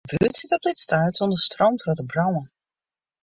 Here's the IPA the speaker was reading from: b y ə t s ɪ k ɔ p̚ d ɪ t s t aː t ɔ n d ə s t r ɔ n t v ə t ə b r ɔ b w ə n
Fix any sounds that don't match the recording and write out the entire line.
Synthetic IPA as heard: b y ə t s ɪ t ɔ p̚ d ɪ t s t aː t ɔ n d ə s t r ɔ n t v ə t ə b r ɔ w ə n